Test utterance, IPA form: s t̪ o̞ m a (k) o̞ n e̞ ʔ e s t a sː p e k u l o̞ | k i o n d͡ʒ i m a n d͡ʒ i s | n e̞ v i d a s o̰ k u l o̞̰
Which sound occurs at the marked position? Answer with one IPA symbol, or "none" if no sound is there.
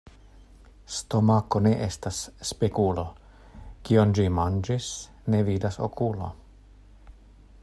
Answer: k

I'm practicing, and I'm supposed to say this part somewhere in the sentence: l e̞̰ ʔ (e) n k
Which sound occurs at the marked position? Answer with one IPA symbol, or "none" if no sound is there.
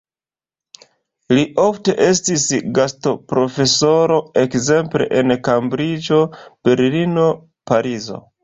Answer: e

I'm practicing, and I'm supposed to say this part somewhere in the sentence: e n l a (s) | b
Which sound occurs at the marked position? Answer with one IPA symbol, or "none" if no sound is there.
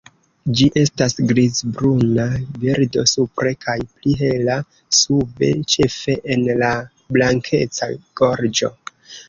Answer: none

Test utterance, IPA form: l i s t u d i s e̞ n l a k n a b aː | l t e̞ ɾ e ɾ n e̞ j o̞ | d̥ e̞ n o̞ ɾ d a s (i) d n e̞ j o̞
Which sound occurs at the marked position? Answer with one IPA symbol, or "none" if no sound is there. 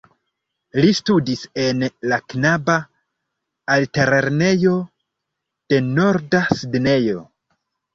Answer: i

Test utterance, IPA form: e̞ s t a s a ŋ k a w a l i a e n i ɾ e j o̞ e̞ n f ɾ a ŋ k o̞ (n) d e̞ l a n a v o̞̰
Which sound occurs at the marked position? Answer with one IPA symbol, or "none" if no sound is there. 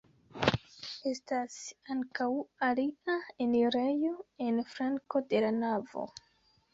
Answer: none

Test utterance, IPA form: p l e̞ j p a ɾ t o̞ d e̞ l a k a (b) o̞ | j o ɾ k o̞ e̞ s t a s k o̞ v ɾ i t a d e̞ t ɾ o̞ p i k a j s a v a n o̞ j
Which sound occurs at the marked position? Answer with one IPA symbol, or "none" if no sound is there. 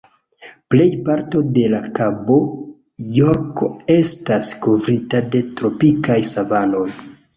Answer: b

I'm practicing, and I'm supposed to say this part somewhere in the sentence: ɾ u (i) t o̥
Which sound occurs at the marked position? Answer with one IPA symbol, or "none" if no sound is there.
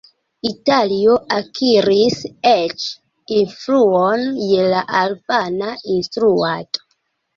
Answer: a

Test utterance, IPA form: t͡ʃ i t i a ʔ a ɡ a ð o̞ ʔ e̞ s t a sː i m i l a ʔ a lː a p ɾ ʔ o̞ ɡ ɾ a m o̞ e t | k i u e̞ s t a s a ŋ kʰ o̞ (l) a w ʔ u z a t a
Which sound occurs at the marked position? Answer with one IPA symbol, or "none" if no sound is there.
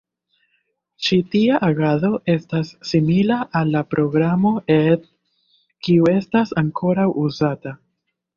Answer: ɾ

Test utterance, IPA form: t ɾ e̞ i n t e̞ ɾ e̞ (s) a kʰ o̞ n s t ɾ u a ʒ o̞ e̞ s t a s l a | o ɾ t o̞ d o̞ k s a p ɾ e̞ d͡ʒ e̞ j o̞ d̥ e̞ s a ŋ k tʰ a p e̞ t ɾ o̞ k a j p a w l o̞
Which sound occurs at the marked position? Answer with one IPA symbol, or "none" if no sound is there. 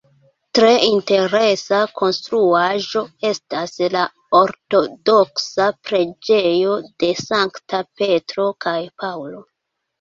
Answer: s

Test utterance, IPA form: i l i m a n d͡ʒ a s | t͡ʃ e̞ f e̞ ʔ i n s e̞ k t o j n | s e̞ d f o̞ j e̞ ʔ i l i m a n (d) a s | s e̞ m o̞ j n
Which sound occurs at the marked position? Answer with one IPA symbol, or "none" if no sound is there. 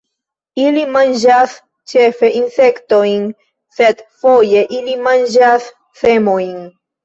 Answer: d͡ʒ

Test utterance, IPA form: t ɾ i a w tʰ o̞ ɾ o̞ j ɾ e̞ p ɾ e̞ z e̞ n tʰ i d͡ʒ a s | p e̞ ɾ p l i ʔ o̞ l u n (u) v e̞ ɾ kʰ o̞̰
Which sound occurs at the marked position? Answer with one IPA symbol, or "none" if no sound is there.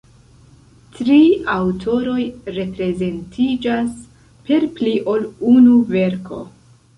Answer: u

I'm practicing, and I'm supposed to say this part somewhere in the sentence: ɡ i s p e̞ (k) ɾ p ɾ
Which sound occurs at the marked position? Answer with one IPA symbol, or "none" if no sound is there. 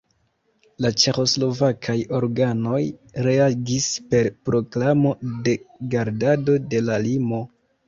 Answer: none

